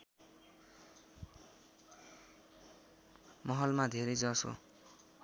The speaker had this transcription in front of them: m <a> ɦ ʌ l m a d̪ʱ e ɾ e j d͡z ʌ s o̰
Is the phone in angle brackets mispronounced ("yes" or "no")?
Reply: yes